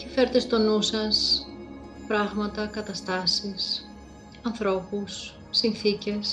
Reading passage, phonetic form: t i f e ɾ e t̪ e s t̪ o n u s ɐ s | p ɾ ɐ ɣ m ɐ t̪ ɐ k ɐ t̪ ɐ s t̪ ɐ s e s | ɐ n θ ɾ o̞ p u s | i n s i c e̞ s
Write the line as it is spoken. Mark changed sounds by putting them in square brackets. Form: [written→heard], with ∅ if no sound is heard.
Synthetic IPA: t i f e ɾ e t̪ e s t̪ o n u s ɐ s | p ɾ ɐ ɣ m ɐ t̪ ɐ k ɐ t̪ ɐ s t̪ ɐ s [e→i] s | ɐ n θ ɾ o̞ p u [s→sː] | i n [s→θ] i c e̞ s